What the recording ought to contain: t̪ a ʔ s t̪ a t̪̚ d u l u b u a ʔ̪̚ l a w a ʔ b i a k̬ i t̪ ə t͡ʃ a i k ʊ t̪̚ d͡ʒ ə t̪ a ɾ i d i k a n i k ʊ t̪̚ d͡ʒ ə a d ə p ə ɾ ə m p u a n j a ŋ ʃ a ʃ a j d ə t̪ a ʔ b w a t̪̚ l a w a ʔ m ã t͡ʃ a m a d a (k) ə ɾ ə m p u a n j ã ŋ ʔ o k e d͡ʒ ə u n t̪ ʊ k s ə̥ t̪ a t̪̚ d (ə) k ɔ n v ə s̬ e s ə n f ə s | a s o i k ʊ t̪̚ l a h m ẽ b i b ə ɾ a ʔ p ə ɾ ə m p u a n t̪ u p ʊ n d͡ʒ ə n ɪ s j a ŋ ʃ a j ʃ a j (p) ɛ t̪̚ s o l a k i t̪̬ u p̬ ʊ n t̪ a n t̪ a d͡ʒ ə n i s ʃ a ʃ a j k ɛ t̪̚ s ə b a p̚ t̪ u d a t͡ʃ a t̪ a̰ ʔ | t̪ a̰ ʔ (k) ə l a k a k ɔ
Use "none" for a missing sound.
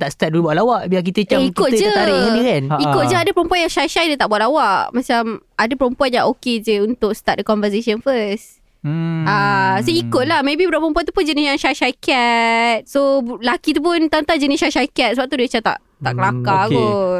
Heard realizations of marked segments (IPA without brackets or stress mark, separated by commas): p, ə, k, k